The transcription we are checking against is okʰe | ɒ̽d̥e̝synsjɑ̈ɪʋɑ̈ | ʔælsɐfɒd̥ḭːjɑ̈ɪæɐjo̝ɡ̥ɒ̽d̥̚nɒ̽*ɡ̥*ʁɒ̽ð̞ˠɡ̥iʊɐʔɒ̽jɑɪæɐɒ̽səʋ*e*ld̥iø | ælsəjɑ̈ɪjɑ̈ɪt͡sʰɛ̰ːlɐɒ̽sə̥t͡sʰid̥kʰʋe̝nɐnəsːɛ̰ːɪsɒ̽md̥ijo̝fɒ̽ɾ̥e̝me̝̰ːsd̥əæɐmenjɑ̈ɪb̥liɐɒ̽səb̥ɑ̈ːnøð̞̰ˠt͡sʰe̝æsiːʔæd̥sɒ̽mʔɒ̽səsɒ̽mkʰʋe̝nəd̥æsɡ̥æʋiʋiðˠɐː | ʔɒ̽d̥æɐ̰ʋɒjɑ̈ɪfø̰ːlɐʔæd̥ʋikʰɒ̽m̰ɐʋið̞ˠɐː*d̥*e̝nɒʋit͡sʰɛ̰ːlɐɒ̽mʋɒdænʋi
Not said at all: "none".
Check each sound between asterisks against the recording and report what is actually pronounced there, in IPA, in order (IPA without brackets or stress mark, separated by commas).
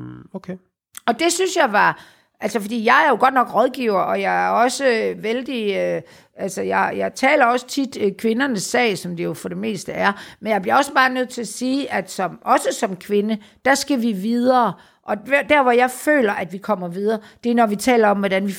ɡ̥, e, d̥